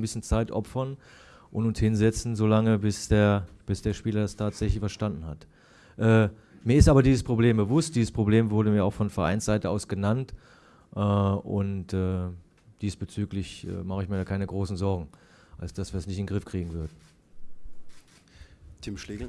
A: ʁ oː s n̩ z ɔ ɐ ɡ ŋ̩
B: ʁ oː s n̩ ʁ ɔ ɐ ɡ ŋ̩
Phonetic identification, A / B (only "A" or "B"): A